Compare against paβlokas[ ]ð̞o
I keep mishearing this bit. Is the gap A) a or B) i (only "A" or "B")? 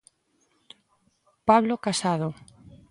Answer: A